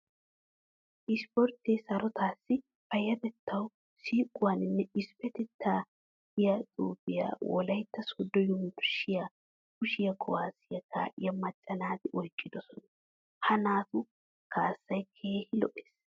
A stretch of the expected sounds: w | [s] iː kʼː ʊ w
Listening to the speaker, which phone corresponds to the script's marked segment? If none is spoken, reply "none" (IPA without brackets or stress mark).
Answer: s